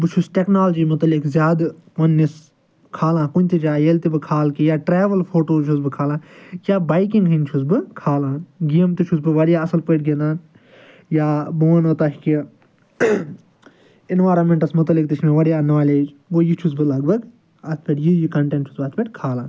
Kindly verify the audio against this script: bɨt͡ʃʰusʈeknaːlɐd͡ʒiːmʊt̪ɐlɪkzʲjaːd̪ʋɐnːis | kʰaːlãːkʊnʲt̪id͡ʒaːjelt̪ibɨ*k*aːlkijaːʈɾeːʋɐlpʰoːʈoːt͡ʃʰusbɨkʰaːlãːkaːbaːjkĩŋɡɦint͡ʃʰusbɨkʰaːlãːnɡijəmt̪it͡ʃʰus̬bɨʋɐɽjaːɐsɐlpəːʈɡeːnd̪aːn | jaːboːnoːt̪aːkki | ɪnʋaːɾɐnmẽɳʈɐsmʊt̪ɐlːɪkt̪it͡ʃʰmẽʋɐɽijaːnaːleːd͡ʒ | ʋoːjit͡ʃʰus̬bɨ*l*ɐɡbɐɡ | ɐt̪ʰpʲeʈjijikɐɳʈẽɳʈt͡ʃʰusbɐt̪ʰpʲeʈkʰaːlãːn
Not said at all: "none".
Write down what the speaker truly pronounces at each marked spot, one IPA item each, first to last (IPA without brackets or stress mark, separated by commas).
kʰ, l